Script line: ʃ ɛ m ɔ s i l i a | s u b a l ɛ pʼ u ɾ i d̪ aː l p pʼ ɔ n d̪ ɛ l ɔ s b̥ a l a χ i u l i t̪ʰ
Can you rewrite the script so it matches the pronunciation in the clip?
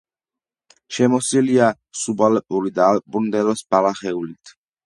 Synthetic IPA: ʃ ɛ m ɔ s i l i a | s u b a l ɛ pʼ u ɾ i d̪ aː l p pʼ u n d̪ ɛ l ɔ s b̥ a l a χ ɛ u l i t̪ʰ

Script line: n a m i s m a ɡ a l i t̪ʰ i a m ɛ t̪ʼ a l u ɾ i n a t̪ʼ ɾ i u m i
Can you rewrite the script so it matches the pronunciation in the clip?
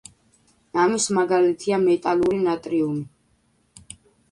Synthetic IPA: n a m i s m a ɡ a l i t̪ʰ i a m ɛ t̪ʼ a l u ɾ i n a t̪ʼ ɾ i u m i

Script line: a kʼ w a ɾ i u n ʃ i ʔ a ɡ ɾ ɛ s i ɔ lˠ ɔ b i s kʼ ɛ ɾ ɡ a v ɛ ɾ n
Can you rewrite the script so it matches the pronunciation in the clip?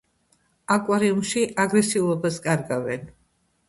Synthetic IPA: a kʼ w a ɾ i u m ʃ i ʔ a ɡ ɾ ɛ s i u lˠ ɔ b a s kʼ a ɾ ɡ a v ɛ n

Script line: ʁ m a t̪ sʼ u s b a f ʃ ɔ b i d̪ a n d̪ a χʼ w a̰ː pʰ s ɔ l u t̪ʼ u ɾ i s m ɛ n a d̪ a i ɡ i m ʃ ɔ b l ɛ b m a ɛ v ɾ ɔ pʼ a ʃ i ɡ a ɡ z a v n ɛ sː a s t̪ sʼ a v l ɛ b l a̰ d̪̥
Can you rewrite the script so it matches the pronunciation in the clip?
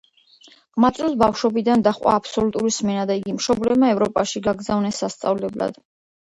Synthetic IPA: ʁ m a t̪ sʼ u s b a f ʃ ɔ b i d̪ a n d̪ a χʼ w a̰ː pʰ s ɔ l u t̪ʼ u ɾ i s m ɛ n a d̪ a i ɡ i m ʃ ɔ b l ɛ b m a ɛ v ɾ ɔ pʼ a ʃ i ɡ a ɡ z a v n ɛ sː a s t̪ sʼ a v l ɛ b l a̰ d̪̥

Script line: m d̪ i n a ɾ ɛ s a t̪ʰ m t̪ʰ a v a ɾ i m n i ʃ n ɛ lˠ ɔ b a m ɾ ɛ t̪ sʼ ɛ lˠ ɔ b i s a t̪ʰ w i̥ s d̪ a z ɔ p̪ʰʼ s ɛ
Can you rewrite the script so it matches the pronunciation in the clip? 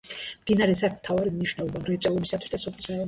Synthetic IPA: m d̪ i n a ɾ ɛ s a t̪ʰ m t̪ʰ a v a ɾ i m n i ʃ n ɛ lˠ ɔ b a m ɾ ɛ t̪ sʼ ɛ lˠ ɔ b i s a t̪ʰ w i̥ s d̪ a s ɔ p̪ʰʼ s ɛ

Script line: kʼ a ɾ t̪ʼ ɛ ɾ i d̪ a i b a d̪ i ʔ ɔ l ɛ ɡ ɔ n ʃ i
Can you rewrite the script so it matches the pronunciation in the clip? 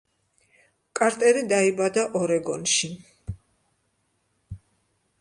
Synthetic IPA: kʼ a ɾ t̪ʼ ɛ ɾ i d̪ a i b a d̪ a ʔ ɔ ɾ ɛ ɡ ɔ n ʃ i

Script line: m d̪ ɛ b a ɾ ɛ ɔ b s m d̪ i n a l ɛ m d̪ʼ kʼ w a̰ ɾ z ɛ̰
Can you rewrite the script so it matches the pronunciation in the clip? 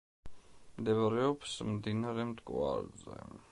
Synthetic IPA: m d̪ ɛ v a ɾ ɛ ɔ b s m d̪ i n a ɾ ɛ m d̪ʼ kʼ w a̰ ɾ z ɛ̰

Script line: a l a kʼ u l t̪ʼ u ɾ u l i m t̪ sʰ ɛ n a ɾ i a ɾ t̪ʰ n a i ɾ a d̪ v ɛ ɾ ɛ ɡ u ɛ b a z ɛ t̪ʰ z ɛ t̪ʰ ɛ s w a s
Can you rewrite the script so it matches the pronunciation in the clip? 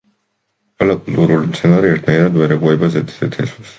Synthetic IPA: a l a kʼ u l t̪ʼ u ɾ u l i m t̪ sʰ ɛ n a ɾ i ɛ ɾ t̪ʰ n a i ɾ a d̪ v ɛ ɾ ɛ ɡ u ɛ b a z ɛ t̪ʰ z ɛ t̪ʰ ɛ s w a s

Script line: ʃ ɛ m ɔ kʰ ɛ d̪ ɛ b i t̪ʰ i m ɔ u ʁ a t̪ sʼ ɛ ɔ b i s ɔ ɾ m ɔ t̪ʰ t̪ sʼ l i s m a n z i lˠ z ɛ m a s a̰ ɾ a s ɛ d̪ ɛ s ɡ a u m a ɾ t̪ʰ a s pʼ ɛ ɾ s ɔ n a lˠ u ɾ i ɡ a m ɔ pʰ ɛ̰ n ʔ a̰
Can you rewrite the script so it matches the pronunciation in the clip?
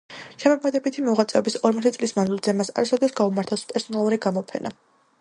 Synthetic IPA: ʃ ɛ m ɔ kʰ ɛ d̪ ɛ b i t̪ʰ i m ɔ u ʁ a t̪ sʼ ɛ ɔ b i s ɔ ɾ m ɔ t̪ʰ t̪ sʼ l i s m a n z i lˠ z ɛ m a s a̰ ɾ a s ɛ d̪ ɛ s ɡ a u m a ɾ t̪ʰ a s pʼ ɛ ɾ s ɔ n a lˠ u ɾ i ɡ a m ɔ pʰ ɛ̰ n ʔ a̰

